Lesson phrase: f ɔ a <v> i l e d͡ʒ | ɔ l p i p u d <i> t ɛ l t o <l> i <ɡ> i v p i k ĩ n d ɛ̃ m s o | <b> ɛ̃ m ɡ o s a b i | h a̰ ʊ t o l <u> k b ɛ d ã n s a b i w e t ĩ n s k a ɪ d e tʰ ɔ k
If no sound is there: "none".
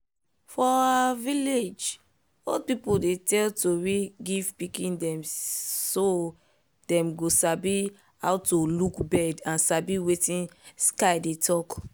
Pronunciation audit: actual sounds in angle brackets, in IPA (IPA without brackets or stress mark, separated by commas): v, e, ɹ, ɡ, d, u